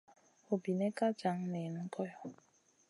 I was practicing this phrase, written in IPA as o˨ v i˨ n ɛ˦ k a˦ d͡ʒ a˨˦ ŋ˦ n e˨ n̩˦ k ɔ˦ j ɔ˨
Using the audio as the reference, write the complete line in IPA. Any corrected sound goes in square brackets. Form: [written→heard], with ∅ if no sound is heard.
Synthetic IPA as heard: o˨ [v→b] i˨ n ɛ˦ k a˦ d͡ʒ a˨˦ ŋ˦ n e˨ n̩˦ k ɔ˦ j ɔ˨